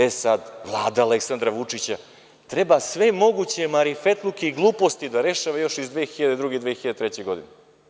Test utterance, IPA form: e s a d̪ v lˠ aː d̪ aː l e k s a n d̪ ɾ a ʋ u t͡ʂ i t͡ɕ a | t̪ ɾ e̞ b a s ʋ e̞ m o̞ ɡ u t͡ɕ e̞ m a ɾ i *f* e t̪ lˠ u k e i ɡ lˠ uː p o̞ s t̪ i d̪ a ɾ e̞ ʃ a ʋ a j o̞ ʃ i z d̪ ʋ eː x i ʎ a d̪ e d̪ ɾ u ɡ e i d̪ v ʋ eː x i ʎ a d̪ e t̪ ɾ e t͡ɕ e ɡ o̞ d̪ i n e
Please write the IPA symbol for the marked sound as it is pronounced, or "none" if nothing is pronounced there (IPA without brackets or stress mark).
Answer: f